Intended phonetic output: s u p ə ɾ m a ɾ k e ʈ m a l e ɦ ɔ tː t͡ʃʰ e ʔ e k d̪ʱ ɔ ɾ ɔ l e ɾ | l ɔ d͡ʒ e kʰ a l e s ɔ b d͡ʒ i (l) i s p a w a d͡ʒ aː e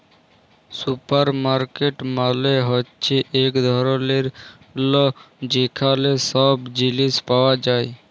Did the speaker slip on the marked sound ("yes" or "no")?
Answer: no